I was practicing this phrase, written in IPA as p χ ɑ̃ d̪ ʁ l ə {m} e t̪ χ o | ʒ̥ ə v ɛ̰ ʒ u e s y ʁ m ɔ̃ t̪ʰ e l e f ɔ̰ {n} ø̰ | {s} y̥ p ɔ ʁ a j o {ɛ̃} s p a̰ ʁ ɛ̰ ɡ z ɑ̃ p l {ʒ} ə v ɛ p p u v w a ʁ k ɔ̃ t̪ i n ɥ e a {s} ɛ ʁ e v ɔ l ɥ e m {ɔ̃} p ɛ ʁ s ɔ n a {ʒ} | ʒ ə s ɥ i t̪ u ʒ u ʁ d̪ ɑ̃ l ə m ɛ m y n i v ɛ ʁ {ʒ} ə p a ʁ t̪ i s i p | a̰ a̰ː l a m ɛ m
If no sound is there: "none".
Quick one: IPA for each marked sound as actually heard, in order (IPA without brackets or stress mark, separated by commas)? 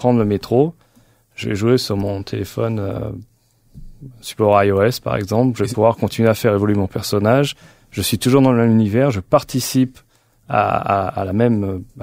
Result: m, n, s, ɛ, ʒ, f, ɔ̃, ʒ, ʒ